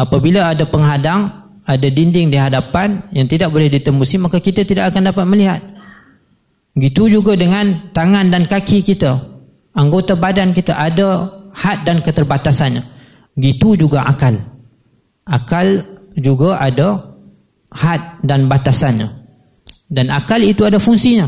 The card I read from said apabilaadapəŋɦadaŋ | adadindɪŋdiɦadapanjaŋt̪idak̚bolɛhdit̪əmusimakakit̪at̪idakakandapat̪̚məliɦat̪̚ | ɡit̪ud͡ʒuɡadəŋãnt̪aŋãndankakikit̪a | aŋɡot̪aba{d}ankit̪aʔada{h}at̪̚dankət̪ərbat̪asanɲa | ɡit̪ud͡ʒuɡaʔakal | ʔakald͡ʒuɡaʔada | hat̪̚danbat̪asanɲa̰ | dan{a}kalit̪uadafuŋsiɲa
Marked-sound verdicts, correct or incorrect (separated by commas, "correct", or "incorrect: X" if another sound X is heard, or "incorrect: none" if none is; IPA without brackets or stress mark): correct, correct, correct